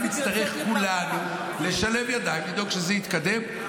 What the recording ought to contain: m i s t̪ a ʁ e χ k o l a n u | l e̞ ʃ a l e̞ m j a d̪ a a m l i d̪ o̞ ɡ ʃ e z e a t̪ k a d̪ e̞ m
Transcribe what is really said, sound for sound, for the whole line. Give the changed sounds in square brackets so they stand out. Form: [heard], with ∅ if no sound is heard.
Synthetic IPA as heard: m i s t̪ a ʁ e χ k [u] l a n u | l e̞ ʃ a l e̞ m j a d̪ a [i] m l i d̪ o̞ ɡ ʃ e z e [i] t̪ k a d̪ e̞ m